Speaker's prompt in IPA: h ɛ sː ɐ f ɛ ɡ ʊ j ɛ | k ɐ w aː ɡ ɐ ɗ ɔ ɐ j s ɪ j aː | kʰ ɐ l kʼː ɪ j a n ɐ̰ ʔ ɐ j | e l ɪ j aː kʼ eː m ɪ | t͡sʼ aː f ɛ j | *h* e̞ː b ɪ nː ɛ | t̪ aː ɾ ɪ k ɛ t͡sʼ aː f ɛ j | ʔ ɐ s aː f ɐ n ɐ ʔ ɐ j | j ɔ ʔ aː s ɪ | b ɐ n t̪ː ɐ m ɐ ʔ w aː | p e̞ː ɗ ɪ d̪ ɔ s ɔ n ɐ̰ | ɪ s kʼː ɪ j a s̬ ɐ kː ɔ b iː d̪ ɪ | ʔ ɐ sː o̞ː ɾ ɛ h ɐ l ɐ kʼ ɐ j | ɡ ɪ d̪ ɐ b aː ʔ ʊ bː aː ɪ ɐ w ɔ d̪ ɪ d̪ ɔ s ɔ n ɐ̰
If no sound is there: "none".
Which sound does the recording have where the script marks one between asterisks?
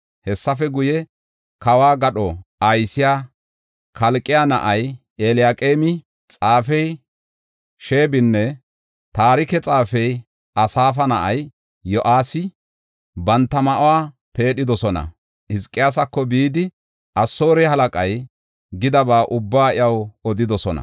ʃ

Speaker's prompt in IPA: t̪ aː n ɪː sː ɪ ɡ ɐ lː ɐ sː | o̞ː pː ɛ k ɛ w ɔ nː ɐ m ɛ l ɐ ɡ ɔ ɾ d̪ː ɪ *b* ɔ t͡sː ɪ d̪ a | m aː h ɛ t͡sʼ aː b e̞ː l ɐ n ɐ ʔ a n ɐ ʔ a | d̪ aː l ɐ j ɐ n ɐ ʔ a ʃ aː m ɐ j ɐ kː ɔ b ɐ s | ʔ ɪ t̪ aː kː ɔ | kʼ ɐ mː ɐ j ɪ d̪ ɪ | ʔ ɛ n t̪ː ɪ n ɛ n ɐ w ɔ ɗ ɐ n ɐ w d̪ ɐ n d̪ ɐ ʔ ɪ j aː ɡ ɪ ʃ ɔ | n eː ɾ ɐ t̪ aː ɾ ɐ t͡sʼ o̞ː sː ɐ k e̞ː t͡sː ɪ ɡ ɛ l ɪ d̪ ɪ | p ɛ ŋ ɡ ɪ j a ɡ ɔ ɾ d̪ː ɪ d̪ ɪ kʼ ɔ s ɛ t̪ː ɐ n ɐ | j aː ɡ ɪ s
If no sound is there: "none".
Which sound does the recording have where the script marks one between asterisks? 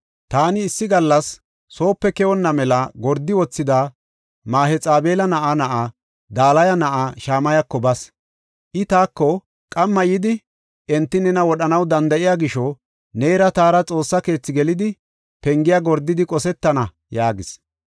w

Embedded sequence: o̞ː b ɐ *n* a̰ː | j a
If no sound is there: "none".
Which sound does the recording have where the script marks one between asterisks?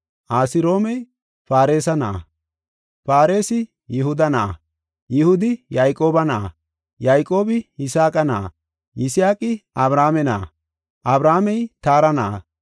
n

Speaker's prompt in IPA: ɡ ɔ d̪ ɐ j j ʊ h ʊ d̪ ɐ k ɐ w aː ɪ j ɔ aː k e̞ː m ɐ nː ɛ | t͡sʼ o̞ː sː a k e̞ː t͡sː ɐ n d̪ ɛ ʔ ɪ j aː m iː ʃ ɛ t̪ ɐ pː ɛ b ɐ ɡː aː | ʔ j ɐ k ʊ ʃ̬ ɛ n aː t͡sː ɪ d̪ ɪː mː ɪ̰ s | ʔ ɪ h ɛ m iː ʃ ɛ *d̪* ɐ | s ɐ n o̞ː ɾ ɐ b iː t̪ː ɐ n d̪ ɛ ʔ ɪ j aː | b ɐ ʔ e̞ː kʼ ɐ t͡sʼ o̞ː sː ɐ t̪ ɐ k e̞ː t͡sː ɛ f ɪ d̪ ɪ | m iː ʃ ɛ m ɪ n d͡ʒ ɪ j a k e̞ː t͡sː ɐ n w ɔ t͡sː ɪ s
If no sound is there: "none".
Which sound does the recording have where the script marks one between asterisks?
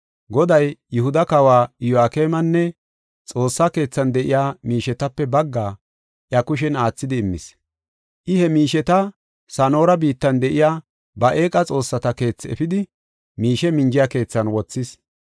t̪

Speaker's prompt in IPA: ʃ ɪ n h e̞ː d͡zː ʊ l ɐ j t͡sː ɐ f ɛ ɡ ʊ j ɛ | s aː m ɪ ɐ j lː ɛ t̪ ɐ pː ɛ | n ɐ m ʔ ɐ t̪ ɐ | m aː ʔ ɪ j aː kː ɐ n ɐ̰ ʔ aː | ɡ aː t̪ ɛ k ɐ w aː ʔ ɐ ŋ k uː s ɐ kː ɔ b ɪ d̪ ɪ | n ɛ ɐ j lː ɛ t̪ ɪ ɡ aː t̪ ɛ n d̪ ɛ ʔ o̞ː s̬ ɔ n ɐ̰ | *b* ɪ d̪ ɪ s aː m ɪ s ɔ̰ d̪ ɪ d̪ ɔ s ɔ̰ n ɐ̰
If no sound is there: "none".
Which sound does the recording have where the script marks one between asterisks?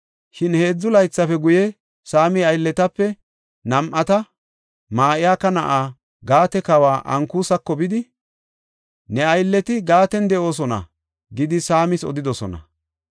ɡ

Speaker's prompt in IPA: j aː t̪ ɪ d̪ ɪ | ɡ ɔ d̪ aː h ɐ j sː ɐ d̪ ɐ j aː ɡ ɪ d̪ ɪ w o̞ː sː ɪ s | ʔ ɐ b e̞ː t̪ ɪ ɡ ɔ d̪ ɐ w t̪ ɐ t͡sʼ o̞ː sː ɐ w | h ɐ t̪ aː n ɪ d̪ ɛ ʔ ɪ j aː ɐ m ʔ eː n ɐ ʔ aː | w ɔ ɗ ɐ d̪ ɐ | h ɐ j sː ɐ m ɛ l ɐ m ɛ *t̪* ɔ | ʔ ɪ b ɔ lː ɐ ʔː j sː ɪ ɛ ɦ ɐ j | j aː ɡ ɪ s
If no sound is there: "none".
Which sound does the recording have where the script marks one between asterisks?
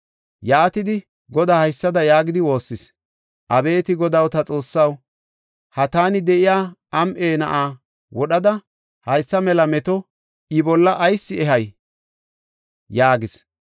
t̪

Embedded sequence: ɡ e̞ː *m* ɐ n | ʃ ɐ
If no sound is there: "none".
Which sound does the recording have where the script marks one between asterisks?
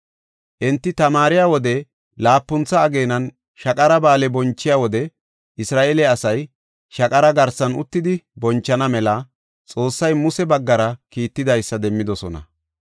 n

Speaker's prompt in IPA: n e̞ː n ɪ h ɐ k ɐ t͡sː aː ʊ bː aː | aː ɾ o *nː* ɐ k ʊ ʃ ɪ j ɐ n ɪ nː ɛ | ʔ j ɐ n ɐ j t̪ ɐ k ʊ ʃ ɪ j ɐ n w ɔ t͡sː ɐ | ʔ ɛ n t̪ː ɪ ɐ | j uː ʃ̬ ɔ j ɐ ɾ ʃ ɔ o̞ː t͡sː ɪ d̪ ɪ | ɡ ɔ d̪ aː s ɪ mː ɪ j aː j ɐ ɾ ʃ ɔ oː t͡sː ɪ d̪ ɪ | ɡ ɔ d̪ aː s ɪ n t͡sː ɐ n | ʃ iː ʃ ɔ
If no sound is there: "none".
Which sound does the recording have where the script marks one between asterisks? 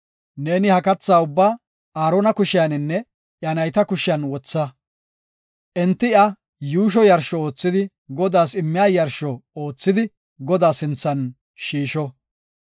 n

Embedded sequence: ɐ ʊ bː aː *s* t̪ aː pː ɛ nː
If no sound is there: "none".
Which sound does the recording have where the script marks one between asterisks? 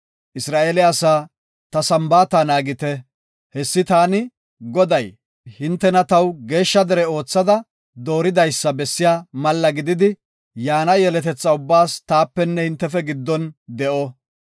s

